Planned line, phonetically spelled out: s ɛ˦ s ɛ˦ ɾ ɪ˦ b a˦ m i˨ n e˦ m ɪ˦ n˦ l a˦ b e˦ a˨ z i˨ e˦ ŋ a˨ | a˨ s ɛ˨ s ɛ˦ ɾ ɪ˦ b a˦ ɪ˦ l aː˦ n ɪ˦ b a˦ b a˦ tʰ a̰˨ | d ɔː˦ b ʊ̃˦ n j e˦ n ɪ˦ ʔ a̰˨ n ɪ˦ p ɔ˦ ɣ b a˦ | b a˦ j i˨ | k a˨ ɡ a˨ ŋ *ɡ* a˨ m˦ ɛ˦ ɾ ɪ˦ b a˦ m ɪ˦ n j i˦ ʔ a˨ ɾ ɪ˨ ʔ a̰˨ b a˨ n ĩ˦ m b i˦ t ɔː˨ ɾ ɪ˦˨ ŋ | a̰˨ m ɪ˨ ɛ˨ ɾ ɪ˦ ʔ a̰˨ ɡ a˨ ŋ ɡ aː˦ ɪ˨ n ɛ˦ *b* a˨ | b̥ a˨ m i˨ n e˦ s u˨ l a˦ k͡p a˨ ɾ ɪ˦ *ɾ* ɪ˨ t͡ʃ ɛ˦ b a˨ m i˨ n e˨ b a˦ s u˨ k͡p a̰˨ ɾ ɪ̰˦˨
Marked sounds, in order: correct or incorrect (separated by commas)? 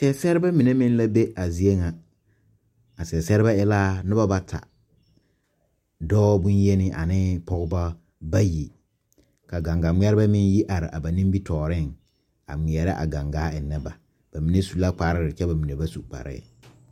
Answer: correct, correct, correct